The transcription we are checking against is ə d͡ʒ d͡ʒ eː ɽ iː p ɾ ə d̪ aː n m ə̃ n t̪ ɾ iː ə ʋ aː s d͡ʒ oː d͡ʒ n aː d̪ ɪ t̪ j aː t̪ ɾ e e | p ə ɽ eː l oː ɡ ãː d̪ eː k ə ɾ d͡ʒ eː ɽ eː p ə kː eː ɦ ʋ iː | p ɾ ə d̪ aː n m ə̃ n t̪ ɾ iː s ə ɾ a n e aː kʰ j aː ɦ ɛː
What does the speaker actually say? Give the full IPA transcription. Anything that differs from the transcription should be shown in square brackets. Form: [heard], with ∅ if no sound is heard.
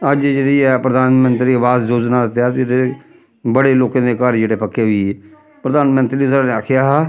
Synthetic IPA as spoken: ə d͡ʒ d͡ʒ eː ɽ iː p ɾ ə d̪ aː n m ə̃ n t̪ ɾ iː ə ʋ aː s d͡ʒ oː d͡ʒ n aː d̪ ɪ t̪ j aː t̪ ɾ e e | [b] ə ɽ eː l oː [k] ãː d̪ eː k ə ɾ d͡ʒ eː ɽ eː p ə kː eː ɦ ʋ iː | p ɾ ə d̪ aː n m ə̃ n t̪ ɾ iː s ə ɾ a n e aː kʰ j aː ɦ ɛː